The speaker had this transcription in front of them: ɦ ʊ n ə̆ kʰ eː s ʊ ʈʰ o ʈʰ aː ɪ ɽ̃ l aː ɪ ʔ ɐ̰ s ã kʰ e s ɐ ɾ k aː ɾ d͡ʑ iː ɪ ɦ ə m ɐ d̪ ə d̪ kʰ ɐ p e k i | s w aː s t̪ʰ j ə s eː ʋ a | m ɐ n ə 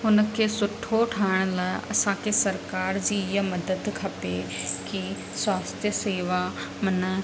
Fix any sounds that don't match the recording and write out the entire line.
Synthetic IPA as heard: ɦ ʊ n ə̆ kʰ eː s ʊ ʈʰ o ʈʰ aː ɪ ɽ̃ l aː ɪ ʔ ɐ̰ s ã kʰ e s ɐ ɾ k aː ɾ d͡ʑ iː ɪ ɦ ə m ɐ d̪ ə d̪ kʰ ɐ p e k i | s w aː s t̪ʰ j ə s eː ʋ a | m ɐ n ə